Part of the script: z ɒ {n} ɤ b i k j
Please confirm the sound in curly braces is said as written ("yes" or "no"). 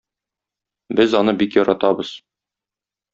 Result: yes